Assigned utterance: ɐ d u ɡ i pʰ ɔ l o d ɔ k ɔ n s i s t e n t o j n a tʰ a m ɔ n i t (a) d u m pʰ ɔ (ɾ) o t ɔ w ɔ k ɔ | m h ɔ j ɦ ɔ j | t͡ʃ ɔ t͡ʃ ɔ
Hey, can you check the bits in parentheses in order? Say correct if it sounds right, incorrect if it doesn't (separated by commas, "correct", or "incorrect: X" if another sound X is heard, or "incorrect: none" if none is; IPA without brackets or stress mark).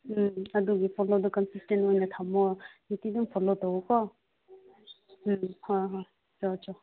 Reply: incorrect: i, incorrect: l